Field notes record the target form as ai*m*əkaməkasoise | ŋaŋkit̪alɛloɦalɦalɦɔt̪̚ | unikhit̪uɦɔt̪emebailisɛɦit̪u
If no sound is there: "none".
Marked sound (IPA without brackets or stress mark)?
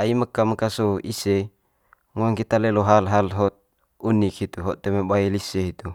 m